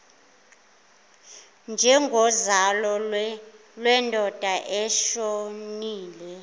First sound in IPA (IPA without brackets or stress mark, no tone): n